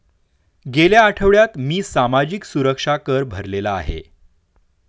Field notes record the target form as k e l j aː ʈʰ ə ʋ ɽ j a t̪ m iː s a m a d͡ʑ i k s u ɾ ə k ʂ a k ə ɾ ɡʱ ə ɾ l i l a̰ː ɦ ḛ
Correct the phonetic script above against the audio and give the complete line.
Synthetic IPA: ɡ e l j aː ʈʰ ə ʋ ɭ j a t̪ m iː s a m a d͡ʑ i k s u ɾ ə k ʂ a k ə ɾ bʱ ə ɾ l e l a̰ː ɦ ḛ

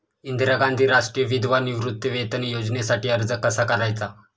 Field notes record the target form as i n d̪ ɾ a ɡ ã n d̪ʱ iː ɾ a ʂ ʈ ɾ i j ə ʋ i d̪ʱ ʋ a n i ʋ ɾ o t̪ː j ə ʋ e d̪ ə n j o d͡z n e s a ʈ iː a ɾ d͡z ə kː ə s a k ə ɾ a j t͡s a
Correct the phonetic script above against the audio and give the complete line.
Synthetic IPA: i n d̪ ɾ a ɡ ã n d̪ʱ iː ɾ a ʂ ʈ ɾ i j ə ʋ i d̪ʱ ʋ a n i ʋ ɾ u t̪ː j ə ʋ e t̪ ə n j o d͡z n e s a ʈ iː ə ɾ d͡z ə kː ə s a k ə ɾ a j t͡s a

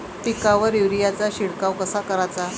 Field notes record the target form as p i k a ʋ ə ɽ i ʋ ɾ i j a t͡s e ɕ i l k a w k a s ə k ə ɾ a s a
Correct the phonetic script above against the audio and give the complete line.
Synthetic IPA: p i k a ʋ ə ɾ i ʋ ɾ i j a t͡s a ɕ i ɽ k a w k ə s a k ə ɾ a t͡s a

